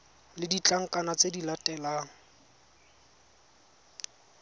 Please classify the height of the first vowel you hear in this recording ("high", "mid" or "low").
high